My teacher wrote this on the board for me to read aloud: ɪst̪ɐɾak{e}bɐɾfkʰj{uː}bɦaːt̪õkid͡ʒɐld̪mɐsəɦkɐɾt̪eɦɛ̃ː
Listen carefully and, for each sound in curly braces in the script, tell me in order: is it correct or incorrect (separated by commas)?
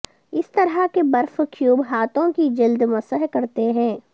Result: correct, correct